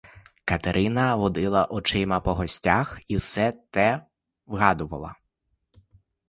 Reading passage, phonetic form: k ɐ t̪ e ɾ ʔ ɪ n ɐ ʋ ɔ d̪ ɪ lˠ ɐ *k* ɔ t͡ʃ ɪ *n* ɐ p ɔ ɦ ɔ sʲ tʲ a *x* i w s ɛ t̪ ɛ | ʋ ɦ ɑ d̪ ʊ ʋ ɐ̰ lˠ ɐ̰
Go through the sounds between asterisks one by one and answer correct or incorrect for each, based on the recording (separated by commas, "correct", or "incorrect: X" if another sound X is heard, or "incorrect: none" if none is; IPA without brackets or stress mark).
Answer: incorrect: ʔ, incorrect: m, correct